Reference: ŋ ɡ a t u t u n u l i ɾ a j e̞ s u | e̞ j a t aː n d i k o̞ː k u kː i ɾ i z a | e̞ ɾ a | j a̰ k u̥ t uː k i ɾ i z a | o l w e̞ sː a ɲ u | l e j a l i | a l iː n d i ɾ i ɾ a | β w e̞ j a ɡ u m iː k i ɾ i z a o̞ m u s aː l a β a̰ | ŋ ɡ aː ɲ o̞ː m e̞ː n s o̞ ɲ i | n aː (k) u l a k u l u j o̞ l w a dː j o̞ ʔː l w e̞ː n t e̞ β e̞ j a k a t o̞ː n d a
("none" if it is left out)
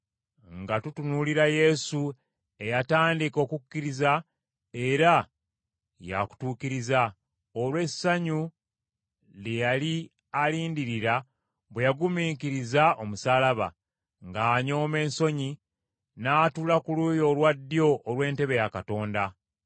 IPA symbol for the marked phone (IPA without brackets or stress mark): t